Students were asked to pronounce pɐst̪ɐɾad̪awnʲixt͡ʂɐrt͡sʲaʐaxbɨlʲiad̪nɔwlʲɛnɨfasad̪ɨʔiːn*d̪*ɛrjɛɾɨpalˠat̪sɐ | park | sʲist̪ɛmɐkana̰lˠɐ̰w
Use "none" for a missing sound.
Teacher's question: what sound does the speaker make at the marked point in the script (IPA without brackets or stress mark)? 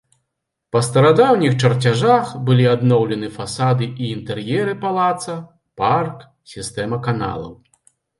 t̪